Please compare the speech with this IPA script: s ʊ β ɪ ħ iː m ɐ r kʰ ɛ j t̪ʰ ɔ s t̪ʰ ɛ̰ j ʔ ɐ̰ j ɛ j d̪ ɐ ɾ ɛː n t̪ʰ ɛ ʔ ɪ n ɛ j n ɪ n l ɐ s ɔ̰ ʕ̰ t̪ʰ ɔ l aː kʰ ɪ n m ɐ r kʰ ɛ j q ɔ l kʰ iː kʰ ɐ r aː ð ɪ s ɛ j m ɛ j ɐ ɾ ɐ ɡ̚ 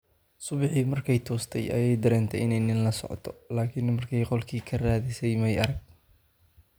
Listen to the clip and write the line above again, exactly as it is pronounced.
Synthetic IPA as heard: s ʊ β ɪ ħ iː m ɐ r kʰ ɛ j t̪ʰ ɔː s t̪ʰ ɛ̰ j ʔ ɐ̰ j ɛ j d̪ ɐ ɾ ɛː n t̪ʰ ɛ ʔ ɪ n ɛ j n ɪ n l ɐ s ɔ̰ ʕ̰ t̪ʰ ɔ l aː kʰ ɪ n m ɐ r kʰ ɛ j q ɔ l kʰ iː kʰ ɐ r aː ð ɪ s ɛ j m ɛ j ɐ ɾ ɐ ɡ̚